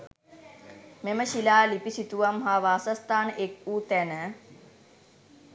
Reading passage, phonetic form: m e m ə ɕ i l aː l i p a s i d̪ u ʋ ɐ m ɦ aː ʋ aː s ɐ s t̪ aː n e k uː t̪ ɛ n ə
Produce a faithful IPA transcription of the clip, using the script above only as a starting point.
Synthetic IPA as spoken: m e m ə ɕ i l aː l i p i s i t̪ u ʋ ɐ m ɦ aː ʋ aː s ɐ s t̪ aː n e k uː t̪ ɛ n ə